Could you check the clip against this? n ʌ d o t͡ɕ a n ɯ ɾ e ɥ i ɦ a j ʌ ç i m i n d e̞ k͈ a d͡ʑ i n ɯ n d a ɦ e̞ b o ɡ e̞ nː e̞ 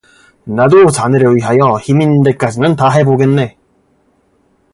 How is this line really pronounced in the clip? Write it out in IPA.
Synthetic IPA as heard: n a d o t͡ɕ a n ɯ ɾ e ɥ i ɦ a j ʌ ç i m i n d e̞ k͈ a d͡ʑ i n ɯ n t a ɦ e̞ b o ɡ e̞ nː e̞

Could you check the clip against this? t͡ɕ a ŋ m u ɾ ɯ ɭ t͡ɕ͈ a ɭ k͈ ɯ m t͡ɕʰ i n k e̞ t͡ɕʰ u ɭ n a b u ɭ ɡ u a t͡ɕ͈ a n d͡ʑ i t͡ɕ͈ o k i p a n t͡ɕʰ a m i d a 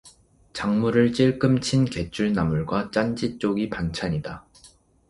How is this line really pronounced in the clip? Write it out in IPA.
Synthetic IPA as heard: t͡ɕ a ŋ m u ɾ ɯ ɭ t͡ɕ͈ i ɭ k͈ ɯ m t͡ɕʰ i n k e̞ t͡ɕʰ u ɭ n a m u ɭ ɡ w a t͡ɕ͈ a n d͡ʑ i t͡ɕ͈ o ɡ i p a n t͡ɕʰ a ɲ i d a

